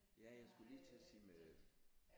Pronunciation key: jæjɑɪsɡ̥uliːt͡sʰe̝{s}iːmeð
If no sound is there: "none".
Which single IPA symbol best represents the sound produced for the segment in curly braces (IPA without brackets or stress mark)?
s